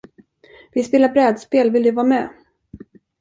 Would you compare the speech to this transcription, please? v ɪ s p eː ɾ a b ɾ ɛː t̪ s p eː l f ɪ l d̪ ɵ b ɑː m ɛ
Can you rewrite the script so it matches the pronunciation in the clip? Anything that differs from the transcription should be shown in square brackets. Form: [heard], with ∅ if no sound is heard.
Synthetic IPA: v ɪ s p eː [l] a b ɾ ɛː [d̪] s p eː l [v] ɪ l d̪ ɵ [v] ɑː m ɛ